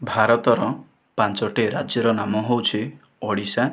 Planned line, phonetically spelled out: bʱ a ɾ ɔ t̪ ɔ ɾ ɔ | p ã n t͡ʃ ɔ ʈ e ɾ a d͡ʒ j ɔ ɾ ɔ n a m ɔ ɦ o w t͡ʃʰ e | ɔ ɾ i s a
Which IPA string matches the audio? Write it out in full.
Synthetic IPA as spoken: bʱ a ɾ ɔ t̪ ɔ ɾ ɔ | p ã n t͡ʃ ɔ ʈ e ɾ a d͡ʒ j ɔ ɾ ɔ n a m ɔ ɦ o w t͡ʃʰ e | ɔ ɽ i s a